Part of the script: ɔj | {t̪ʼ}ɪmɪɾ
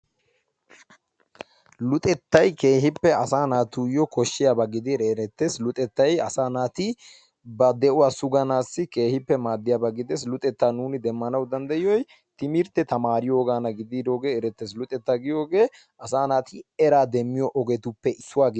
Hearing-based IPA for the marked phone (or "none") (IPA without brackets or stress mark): t̪